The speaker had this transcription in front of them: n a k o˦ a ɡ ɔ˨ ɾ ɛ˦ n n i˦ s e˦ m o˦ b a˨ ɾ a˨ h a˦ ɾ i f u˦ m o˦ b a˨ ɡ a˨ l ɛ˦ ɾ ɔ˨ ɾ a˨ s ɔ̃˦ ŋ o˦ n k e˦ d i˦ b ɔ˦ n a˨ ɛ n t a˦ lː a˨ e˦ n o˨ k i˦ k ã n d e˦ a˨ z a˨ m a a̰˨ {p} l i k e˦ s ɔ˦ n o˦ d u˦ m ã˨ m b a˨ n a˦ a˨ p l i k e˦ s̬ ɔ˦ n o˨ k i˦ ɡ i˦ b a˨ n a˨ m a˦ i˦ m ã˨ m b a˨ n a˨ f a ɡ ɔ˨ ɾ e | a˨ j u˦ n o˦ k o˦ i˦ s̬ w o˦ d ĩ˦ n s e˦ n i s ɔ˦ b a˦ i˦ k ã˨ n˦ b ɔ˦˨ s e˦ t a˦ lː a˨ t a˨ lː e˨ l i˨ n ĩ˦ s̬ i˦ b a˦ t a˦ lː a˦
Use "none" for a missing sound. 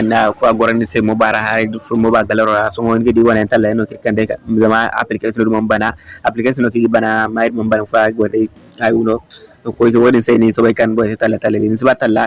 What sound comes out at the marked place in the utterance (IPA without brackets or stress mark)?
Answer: p